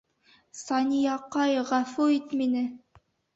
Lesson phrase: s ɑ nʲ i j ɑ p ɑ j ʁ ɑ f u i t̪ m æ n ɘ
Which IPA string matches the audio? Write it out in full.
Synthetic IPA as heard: s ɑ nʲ i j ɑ q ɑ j ʁ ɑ f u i t̪ m i n ɘ